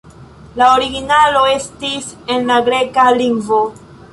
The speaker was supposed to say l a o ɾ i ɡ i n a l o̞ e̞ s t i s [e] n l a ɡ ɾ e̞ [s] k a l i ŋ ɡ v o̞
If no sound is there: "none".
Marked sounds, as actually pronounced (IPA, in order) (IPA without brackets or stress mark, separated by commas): e, none